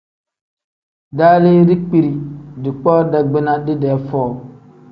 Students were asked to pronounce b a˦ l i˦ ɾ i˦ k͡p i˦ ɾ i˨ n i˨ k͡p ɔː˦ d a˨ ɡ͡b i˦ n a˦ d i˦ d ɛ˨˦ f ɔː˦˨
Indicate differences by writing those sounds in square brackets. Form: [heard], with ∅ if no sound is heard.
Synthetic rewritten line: [d] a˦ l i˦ ɾ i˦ k͡p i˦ ɾ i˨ [d] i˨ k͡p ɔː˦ d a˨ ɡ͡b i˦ n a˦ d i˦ d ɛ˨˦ f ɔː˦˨

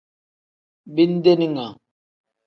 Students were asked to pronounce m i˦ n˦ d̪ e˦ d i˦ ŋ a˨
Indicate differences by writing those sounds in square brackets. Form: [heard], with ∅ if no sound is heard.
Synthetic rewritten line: [b] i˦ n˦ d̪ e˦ [n] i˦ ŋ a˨

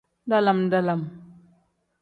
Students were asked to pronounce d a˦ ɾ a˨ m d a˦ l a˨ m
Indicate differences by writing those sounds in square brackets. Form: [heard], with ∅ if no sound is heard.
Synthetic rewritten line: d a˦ [l] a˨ m d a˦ l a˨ m

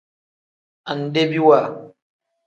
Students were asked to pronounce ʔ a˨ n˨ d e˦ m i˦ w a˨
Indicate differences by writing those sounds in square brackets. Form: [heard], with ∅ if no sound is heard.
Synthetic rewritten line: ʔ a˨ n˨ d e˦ [b] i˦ w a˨

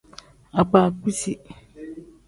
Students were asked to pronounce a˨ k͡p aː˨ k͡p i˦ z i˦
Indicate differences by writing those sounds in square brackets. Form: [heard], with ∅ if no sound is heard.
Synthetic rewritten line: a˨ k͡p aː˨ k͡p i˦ [s] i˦

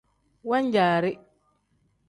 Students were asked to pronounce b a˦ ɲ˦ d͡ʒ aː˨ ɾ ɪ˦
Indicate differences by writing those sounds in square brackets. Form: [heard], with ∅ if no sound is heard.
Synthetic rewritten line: [w] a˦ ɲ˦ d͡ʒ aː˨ ɾ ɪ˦

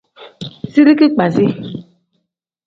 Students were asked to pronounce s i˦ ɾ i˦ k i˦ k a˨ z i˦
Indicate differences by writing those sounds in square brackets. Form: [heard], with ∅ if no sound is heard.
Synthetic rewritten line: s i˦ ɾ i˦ k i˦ [k͡p] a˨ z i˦

